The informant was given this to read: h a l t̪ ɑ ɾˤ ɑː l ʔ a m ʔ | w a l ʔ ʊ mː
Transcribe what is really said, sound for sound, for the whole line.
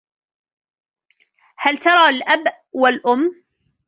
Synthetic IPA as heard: h a l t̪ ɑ ɾˤ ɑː l ʔ a b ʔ | w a l ʔ ʊ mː